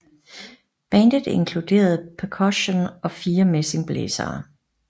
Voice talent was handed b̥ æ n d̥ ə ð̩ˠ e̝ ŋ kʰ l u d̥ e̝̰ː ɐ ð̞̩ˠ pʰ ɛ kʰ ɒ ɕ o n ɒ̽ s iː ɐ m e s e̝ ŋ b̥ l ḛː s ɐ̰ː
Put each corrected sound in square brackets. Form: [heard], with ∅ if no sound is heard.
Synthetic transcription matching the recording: b̥ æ n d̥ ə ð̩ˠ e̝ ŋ kʰ l u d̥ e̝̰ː ɐ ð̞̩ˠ pʰ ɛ kʰ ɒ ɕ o n ɒ̽ [f] iː ɐ m e s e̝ ŋ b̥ l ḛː s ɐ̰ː